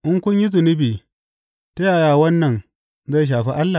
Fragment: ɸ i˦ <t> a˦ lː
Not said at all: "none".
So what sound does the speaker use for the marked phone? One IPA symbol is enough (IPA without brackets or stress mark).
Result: ʔ